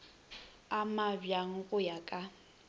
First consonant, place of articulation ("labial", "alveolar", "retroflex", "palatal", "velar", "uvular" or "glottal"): labial